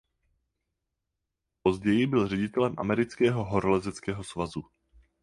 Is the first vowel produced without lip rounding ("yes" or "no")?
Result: no